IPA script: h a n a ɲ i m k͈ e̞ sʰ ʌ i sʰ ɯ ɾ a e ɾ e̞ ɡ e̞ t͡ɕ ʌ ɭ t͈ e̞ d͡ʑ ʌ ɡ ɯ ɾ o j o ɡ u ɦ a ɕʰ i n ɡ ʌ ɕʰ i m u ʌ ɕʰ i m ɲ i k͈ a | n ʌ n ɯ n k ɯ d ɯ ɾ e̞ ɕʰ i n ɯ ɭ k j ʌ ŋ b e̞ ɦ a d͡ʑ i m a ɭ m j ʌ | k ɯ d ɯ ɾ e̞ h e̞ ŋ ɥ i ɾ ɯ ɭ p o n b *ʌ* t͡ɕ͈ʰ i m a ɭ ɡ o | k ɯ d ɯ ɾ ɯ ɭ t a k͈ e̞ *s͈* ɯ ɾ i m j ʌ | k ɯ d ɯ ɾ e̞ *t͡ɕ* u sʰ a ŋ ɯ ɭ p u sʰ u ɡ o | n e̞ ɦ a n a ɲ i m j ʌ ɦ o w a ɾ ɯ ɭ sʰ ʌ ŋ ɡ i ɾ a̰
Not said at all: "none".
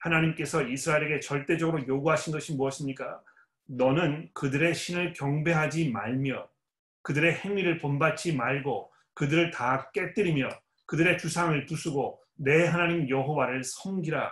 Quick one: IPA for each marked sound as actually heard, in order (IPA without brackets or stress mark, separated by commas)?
a, t͈, t͡ɕ